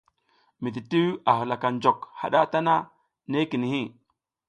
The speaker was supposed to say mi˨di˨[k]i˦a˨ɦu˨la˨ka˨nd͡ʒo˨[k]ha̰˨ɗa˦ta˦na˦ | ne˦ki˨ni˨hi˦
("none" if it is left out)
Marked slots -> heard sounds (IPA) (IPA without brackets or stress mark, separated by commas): t, k